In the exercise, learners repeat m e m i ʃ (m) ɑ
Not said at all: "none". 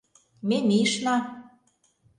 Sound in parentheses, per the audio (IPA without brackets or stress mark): n